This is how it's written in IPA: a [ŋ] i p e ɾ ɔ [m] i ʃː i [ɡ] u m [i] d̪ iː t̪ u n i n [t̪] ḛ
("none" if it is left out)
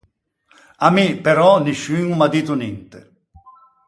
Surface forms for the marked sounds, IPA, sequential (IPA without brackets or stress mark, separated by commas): m, n, ŋ, a, t̪